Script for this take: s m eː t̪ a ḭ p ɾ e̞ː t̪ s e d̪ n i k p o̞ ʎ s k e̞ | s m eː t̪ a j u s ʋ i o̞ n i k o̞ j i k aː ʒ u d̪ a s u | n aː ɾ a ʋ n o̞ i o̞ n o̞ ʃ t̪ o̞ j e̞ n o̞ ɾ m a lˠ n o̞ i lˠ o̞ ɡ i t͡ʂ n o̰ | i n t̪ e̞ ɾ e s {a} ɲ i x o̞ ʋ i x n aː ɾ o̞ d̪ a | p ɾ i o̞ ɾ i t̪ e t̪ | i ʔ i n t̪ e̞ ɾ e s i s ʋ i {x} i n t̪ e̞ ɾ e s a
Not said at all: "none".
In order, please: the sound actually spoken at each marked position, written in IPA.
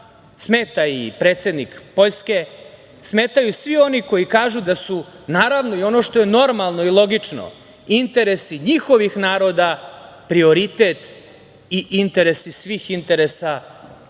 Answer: i, x

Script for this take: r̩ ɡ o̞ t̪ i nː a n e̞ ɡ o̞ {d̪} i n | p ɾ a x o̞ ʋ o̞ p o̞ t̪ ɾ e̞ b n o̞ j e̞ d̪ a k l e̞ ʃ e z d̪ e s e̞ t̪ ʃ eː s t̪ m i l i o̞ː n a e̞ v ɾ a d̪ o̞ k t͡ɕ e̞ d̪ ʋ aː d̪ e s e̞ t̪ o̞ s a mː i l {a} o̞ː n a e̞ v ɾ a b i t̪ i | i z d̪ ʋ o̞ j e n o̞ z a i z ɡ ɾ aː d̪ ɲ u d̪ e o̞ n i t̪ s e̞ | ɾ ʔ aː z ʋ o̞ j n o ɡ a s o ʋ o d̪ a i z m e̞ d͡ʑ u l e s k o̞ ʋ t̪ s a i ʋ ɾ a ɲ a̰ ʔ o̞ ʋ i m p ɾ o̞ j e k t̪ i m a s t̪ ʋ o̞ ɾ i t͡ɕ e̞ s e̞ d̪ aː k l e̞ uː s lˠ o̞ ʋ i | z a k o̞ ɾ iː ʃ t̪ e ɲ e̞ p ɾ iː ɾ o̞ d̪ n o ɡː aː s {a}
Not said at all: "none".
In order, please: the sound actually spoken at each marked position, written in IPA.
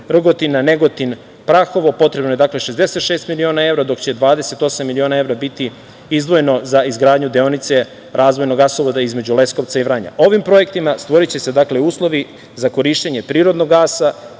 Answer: t̪, i, a

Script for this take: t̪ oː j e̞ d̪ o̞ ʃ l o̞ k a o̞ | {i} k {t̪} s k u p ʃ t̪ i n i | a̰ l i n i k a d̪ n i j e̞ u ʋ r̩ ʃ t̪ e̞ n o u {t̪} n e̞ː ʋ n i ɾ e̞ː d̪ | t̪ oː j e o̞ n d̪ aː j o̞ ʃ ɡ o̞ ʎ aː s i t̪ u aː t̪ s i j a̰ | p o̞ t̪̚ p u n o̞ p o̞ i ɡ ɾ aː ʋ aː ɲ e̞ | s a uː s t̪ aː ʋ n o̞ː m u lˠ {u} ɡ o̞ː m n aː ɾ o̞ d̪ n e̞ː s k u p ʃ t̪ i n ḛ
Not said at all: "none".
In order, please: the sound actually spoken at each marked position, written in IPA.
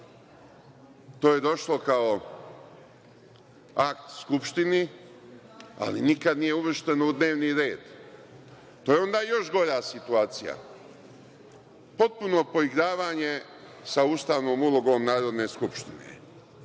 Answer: a, t̪, d̪, o

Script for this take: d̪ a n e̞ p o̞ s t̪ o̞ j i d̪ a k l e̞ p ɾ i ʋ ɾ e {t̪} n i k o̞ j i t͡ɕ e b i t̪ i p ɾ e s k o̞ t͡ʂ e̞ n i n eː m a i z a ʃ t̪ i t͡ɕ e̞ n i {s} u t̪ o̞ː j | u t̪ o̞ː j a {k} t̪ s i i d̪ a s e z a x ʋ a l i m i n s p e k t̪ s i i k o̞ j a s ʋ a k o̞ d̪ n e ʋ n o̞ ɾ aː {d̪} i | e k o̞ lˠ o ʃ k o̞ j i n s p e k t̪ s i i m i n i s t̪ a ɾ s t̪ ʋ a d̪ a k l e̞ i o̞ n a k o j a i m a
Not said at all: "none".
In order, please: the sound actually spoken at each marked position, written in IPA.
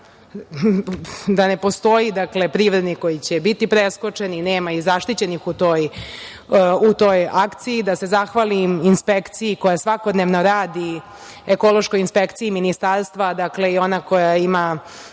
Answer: d̪, x, k, d̪

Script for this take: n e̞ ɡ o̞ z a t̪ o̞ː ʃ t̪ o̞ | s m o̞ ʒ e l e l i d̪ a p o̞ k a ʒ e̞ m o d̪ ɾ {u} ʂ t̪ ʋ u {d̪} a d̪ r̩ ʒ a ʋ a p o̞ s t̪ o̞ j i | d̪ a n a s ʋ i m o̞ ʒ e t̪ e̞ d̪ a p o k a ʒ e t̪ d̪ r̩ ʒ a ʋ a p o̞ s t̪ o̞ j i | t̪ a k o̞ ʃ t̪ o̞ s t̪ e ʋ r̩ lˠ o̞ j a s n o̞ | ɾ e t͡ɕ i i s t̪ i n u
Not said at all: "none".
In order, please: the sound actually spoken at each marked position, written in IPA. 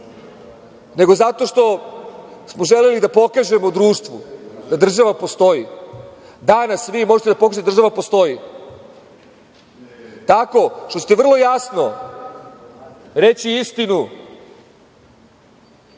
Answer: uː, d̪

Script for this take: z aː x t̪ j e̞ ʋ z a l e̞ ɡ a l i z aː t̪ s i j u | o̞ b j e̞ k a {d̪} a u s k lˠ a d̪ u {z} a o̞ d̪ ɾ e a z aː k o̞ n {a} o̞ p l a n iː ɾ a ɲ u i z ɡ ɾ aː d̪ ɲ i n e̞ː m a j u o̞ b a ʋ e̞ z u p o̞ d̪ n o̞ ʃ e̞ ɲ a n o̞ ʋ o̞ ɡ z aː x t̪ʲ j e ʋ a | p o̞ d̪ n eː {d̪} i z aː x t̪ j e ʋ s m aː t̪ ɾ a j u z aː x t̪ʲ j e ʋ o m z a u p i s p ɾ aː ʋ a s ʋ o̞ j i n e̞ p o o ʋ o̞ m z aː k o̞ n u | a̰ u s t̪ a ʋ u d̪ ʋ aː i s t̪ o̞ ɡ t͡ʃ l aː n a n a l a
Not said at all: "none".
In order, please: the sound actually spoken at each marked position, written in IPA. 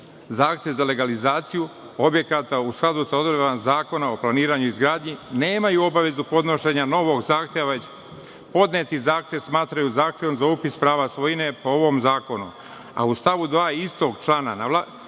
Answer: t̪, s, a, t̪

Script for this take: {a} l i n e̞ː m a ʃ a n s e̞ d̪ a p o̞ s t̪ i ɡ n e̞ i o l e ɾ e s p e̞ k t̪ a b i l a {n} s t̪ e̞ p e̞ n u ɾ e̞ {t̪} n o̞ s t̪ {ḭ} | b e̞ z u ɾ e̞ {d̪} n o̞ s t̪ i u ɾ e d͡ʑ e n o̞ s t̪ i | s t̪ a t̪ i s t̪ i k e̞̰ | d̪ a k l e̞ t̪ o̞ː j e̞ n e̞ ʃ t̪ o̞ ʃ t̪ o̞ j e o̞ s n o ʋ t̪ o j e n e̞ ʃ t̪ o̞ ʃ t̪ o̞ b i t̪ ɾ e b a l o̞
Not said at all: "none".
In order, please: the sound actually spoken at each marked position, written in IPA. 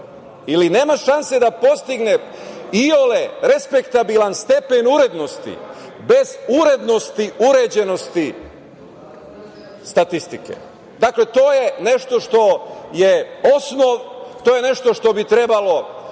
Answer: i, n, d̪, ḭ, d̪

